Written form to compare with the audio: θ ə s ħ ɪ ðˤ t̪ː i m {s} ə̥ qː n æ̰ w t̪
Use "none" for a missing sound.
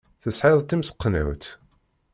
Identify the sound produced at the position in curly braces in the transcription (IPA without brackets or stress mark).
s